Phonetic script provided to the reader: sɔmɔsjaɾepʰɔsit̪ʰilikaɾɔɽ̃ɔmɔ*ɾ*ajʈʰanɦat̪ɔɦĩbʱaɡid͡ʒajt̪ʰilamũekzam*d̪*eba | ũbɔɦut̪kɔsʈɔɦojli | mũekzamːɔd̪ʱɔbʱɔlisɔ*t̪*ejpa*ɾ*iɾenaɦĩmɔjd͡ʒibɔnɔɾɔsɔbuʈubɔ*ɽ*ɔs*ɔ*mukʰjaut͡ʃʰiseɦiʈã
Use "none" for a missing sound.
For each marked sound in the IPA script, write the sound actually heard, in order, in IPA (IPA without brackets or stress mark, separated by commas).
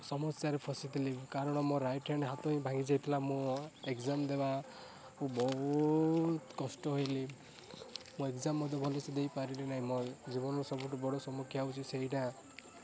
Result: ɾ, d̪, d̪, ɾ, ɽ, ɔ